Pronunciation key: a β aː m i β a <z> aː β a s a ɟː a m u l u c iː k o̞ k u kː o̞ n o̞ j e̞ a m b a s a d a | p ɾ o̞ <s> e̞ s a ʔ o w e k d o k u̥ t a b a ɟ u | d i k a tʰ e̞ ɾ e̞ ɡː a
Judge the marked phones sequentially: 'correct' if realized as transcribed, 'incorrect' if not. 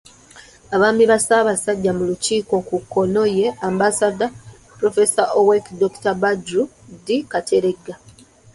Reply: incorrect, incorrect

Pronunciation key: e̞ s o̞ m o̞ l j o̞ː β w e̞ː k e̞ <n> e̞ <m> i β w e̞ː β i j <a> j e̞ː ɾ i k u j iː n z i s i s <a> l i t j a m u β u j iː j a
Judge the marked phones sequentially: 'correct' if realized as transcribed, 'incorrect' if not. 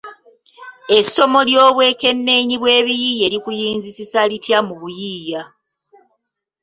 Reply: incorrect, incorrect, incorrect, correct

